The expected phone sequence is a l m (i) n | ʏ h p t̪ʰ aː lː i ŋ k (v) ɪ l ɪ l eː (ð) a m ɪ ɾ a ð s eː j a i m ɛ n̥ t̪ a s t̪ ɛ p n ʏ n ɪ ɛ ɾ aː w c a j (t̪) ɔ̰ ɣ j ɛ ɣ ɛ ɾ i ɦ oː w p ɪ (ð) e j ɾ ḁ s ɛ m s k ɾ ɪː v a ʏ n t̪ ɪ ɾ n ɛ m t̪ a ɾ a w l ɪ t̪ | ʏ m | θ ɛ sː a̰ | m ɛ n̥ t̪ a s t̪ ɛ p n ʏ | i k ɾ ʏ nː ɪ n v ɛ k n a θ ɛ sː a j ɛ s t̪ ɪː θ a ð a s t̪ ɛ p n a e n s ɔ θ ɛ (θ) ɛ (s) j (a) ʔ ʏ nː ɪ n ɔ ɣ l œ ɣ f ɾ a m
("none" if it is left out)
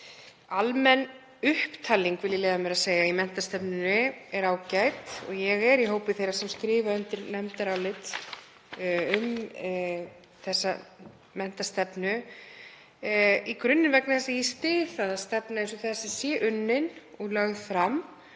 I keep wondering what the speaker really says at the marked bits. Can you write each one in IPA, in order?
ɛ, v, ð, t̪, θ, s, s, ɛ

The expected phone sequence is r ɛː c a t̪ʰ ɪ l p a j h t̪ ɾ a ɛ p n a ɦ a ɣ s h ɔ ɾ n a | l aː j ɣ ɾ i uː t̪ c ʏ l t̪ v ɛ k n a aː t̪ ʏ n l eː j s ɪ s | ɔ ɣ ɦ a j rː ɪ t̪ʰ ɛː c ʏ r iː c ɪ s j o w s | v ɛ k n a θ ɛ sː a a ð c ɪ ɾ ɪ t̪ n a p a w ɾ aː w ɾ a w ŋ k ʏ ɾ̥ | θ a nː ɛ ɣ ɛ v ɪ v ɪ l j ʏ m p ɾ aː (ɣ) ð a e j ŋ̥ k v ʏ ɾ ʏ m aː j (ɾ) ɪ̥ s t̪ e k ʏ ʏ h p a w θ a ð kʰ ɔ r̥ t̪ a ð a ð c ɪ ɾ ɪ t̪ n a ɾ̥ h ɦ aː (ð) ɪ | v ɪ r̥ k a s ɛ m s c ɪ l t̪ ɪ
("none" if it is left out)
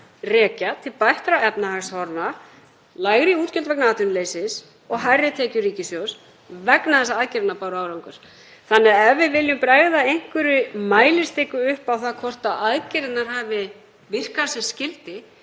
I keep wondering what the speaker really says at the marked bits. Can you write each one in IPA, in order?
ɣ, l, v

